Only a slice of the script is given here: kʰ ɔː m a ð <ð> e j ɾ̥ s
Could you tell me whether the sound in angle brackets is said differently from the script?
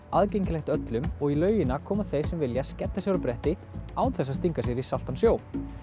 yes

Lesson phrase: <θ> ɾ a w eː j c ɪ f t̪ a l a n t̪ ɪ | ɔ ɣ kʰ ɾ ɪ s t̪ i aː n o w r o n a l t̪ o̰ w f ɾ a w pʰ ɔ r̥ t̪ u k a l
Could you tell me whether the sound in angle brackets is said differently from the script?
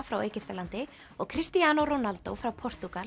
yes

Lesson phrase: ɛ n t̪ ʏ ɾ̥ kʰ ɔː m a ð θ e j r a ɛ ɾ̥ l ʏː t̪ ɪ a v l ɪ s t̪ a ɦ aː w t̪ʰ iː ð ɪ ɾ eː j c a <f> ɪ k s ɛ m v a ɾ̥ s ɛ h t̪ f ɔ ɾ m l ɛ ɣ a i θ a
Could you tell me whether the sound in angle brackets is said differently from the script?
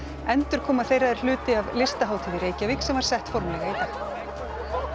yes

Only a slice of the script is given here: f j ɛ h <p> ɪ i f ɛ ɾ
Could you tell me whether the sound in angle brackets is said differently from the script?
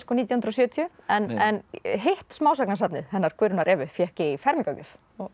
yes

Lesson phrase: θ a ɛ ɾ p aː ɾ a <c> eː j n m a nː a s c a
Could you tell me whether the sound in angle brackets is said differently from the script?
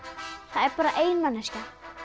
yes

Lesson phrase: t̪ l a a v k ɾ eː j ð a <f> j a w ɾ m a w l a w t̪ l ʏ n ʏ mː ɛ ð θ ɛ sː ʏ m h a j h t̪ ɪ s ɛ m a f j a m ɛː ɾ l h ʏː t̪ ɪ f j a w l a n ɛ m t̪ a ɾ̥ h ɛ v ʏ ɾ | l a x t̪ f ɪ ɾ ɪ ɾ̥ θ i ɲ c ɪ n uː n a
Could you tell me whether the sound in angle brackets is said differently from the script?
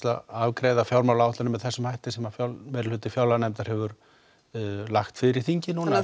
no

